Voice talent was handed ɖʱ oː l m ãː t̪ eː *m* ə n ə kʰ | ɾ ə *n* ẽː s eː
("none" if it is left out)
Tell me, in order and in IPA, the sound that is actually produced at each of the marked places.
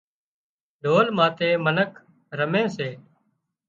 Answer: m, m

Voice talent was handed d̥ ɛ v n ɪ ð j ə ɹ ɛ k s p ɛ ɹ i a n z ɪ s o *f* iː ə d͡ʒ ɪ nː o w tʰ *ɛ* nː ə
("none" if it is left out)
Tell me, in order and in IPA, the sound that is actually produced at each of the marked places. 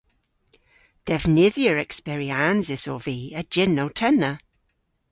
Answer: v, ɛ

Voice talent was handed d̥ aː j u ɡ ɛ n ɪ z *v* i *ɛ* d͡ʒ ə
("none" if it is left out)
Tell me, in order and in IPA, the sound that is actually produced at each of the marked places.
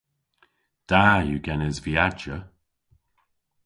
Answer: v, a

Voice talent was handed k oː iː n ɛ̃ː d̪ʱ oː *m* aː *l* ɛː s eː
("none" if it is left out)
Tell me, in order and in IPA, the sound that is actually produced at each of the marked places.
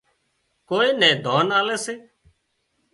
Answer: n, l

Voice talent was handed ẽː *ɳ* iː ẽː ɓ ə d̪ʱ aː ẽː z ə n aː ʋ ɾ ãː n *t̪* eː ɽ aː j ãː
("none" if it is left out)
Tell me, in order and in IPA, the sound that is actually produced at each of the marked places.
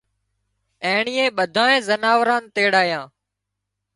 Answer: ɳ, t̪

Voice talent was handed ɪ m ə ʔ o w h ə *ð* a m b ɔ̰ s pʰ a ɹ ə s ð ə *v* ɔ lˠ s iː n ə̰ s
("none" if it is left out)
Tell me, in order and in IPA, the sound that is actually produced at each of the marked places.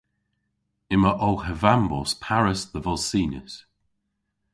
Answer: v, v

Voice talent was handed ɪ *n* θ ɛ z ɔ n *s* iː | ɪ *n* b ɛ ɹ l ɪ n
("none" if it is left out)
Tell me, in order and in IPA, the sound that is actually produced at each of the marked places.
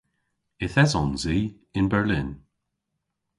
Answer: none, z, n

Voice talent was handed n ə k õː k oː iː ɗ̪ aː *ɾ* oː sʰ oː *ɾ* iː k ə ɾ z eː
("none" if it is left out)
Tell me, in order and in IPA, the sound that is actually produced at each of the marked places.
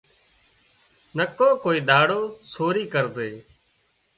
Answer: ɽ, ɾ

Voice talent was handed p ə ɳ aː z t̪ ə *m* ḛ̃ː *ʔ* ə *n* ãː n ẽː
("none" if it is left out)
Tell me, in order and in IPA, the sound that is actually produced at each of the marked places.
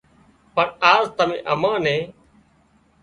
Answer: m, ʔ, m

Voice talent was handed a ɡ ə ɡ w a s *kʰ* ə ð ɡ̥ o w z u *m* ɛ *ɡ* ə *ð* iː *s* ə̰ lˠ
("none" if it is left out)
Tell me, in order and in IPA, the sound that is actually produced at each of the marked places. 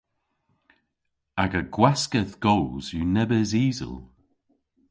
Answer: k, n, b, z, z

